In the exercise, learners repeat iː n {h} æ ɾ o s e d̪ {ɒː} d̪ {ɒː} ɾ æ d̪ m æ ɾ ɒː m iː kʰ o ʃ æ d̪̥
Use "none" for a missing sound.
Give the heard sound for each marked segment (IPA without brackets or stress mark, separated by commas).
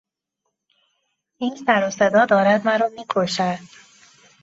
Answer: s, ɒː, ɒː